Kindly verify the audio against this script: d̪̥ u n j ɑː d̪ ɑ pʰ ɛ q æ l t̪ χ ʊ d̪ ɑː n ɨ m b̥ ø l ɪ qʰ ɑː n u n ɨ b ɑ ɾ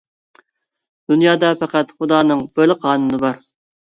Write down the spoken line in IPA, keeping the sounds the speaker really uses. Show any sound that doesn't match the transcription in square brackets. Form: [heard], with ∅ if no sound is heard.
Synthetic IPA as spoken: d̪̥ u n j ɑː d̪ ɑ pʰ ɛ q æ [∅] t̪ χ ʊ d̪ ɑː n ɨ [ŋ] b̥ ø l ɪ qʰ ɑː n u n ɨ b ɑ ɾ